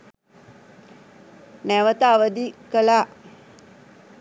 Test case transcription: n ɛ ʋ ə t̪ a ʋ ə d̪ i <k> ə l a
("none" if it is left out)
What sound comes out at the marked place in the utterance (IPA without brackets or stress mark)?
k